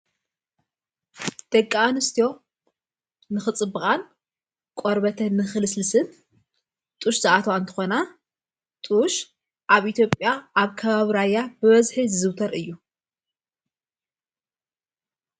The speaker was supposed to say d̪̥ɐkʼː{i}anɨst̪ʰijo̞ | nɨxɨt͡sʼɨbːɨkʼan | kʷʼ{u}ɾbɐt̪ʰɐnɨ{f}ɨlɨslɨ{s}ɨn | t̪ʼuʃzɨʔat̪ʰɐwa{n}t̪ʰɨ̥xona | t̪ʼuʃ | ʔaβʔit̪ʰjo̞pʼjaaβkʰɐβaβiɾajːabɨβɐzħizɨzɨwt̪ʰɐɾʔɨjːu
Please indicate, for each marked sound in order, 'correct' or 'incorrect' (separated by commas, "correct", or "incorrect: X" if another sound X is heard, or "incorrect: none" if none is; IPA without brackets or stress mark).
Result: incorrect: a, incorrect: o, incorrect: x, correct, correct